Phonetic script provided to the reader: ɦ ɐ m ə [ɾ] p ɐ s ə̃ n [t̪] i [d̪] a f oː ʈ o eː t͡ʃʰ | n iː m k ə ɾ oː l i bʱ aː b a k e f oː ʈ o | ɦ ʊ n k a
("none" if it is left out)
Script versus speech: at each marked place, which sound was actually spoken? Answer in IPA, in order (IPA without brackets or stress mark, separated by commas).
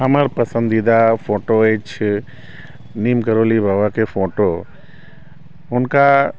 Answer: ɾ, d̪, d̪